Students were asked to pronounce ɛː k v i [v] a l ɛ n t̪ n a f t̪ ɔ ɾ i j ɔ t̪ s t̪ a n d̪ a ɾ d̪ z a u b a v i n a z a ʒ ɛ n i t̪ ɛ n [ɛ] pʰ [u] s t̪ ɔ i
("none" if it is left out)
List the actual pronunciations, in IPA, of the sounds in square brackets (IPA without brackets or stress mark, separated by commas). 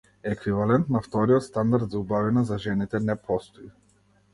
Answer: v, ɛ, ɔ